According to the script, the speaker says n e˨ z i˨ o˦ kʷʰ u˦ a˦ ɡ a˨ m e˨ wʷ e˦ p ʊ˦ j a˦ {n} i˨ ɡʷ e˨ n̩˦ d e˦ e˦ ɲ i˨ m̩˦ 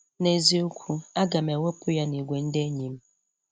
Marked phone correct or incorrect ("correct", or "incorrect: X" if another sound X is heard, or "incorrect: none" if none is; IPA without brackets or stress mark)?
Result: correct